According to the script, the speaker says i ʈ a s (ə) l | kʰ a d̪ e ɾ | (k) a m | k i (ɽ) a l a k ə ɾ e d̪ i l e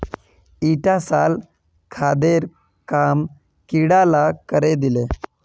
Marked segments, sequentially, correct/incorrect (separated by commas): incorrect, correct, correct